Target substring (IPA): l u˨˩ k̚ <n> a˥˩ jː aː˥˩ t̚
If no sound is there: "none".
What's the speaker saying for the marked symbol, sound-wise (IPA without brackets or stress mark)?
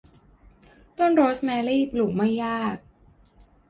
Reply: m